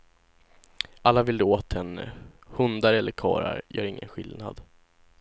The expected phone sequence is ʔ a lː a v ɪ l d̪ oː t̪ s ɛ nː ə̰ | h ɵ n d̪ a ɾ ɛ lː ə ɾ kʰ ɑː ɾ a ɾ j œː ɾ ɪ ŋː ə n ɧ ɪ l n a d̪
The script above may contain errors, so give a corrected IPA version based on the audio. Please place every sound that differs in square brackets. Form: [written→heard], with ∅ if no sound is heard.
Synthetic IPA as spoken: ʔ a lː a v ɪ l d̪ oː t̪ [s→h] ɛ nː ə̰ | h ɵ n d̪ a ɾ ɛ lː ə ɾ kʰ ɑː ɾ a ɾ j œː ɾ ɪ ŋː ə n ɧ ɪ l n a d̪